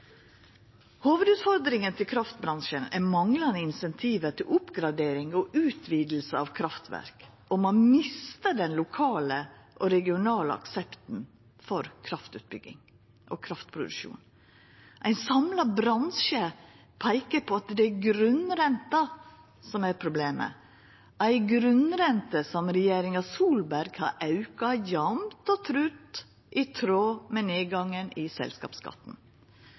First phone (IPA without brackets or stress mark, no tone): h